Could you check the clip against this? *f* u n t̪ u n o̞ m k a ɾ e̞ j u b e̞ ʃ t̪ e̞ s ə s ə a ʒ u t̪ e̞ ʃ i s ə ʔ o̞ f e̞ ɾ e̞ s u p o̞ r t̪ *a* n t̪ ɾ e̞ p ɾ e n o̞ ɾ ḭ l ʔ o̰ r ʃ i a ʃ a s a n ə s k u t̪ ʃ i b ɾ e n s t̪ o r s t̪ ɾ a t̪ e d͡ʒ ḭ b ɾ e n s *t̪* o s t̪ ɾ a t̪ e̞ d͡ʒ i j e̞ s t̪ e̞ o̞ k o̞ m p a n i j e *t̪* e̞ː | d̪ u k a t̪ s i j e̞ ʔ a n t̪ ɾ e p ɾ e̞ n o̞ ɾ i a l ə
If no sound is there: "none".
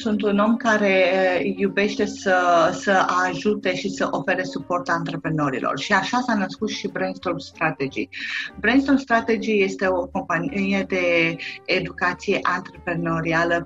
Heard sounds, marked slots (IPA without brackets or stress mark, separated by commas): s, a, t̪, d̪